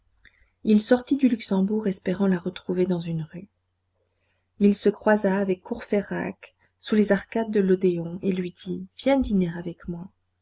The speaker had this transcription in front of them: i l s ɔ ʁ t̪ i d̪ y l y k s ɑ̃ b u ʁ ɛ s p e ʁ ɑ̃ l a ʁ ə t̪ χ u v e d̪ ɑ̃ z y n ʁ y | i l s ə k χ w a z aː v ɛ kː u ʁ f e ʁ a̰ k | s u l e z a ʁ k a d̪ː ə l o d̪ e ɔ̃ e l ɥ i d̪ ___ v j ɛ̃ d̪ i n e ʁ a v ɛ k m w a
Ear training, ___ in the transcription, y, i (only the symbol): i